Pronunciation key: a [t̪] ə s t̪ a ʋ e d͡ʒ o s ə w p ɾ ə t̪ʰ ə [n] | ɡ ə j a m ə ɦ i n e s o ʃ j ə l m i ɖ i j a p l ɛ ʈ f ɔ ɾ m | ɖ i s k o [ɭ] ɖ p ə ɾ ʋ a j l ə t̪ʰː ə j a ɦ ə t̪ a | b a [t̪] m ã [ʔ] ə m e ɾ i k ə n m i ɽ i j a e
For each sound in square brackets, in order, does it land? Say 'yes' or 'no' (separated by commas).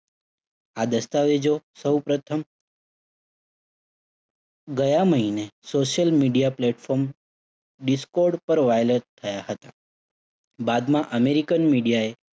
no, no, no, no, yes